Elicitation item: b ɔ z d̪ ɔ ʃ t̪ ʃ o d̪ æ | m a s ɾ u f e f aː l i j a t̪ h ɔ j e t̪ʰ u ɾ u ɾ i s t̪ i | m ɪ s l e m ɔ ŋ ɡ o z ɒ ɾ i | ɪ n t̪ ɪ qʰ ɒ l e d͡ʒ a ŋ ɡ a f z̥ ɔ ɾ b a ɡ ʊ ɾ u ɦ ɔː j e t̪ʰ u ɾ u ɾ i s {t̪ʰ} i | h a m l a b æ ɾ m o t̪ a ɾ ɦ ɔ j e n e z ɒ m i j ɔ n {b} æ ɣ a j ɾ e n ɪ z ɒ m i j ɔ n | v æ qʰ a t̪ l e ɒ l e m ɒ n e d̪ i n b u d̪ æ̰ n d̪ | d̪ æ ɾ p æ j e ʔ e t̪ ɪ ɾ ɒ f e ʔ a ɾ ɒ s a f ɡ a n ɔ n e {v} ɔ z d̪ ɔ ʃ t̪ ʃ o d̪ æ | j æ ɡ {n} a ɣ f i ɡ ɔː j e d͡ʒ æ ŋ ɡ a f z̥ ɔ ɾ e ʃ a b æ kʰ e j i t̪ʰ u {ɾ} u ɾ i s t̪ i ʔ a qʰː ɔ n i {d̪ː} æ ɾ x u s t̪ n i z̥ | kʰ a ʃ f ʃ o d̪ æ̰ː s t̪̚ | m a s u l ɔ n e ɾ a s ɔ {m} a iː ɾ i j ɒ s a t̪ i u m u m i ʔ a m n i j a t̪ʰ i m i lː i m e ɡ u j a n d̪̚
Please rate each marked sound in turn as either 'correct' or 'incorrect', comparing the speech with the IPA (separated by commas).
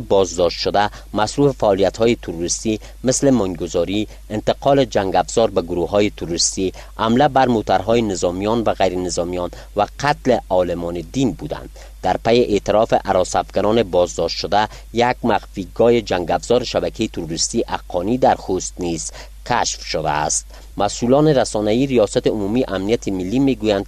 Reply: incorrect, incorrect, incorrect, incorrect, correct, incorrect, incorrect